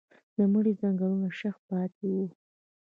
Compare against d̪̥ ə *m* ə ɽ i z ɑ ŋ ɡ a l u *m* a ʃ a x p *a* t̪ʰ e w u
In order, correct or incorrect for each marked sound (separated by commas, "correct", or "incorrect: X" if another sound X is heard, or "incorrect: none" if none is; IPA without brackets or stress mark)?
correct, incorrect: n, incorrect: ɑ